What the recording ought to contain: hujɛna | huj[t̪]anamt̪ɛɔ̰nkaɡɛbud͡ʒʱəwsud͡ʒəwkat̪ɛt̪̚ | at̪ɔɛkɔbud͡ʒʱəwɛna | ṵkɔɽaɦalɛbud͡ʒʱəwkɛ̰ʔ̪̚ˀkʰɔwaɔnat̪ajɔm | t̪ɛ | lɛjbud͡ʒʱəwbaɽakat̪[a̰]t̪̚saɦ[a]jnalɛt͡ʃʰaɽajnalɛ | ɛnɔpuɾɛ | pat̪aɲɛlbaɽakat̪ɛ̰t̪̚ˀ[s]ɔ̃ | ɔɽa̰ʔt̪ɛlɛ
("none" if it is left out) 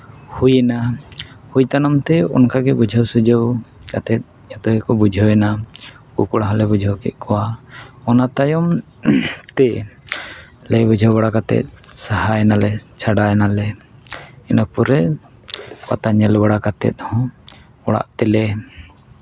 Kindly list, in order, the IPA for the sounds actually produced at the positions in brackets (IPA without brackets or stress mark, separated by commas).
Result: t̪, ɛ̰, a, h